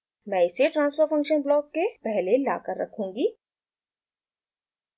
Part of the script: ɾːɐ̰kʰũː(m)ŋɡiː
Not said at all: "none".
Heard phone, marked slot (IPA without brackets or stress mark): none